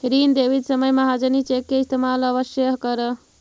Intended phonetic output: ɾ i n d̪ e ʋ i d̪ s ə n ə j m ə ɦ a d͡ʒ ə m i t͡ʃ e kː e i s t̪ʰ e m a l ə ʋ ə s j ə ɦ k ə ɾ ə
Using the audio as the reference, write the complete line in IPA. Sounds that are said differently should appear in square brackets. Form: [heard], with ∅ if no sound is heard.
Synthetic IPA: ɾ i n d̪ e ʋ i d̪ s ə [m] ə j m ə ɦ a d͡ʒ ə [n] i t͡ʃ e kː e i s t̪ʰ e m a l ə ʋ ə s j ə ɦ k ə ɾ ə